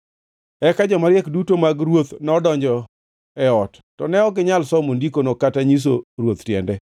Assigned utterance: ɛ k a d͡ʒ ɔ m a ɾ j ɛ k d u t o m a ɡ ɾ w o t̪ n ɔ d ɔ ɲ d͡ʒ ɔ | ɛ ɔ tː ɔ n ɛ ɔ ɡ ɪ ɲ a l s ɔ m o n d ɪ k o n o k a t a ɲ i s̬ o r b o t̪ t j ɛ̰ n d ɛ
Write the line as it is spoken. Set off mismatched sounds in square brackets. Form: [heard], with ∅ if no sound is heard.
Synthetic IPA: ɛ k a d͡ʒ ɔ m a ɾ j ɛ k d u t o m a ɡ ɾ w o t̪ n ɔ d ɔ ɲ d͡ʒ ɔ | ɛ ɔ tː ɔ n ɛ ɔ ɡ ɪ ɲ a l s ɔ m o n d [i] k o n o k a t a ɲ i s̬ o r [w] o t̪ t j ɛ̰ n d ɛ